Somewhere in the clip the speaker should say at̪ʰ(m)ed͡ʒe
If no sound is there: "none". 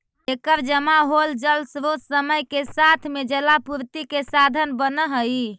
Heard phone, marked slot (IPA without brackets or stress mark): m